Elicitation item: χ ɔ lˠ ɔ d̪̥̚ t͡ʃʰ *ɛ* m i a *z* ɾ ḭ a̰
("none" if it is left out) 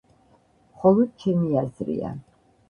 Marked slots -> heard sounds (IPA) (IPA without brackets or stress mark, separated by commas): ɛ, z